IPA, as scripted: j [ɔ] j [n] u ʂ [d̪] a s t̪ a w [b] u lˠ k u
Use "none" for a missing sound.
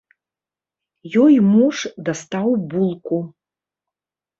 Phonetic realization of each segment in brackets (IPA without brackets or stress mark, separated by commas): ɔ, m, d̪, b